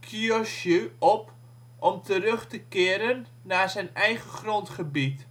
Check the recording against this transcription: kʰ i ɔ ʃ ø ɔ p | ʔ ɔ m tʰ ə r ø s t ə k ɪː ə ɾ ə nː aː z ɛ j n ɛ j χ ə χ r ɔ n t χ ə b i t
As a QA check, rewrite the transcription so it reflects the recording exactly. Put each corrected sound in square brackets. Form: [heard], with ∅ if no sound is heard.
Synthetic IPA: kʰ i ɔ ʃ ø ɔ p | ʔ ɔ m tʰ ə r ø [χ] t ə k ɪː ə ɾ ə nː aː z ɛ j n ɛ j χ ə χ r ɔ n t χ ə b i t